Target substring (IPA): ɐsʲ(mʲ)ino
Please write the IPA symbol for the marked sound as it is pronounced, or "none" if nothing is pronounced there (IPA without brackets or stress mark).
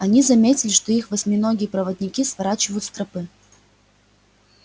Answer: mʲ